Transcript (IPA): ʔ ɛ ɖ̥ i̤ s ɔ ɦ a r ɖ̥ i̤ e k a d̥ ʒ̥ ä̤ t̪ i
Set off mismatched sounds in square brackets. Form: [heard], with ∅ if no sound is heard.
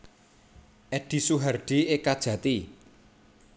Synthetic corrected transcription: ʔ ɛ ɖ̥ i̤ s [u] ɦ a r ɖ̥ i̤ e k a d̥ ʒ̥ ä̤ t̪ i